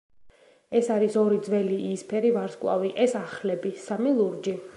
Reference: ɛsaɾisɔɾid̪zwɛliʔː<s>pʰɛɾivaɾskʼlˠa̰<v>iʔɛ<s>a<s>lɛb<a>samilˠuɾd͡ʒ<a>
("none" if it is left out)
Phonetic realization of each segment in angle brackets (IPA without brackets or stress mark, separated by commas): s, v, s, χ, i, i